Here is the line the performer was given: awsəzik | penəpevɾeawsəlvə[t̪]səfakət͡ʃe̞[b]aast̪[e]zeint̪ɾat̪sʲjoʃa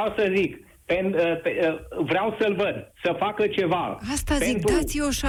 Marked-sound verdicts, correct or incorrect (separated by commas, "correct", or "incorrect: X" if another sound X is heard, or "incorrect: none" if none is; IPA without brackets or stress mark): incorrect: d̪, incorrect: v, incorrect: a